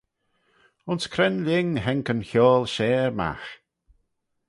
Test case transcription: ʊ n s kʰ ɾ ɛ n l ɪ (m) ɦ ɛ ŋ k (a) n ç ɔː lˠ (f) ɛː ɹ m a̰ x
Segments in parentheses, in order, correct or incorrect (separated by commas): incorrect, incorrect, incorrect